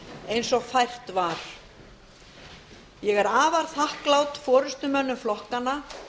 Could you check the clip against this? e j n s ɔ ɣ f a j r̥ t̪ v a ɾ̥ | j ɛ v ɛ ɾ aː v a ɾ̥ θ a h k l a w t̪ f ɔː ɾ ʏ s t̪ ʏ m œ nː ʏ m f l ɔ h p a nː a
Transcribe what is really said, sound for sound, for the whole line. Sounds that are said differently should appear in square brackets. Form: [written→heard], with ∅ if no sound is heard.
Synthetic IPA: e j n s ɔ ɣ f a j r̥ t̪ v a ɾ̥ | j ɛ [v→ɣ] ɛ ɾ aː v a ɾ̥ θ a h k l a w t̪ f ɔː ɾ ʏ s t̪ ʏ m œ nː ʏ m f l ɔ h [p→k] a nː a